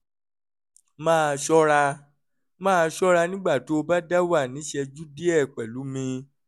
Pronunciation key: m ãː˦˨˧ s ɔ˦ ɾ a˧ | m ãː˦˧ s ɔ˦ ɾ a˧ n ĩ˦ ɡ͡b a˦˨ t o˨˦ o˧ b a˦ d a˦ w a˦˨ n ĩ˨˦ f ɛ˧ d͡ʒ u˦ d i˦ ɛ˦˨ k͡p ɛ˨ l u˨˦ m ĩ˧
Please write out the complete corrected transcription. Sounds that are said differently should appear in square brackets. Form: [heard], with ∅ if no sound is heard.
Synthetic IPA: m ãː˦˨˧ [ʃ] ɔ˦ ɾ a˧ | m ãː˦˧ [ʃ] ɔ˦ ɾ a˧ n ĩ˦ ɡ͡b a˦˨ t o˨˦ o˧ b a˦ d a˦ w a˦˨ n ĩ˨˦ [ʃ] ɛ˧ d͡ʒ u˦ d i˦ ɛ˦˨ k͡p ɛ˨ l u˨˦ m ĩ˧